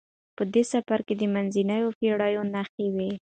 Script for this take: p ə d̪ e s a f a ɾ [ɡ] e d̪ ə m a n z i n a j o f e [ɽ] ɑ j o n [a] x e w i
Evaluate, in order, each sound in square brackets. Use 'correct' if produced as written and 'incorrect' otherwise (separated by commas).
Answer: incorrect, correct, correct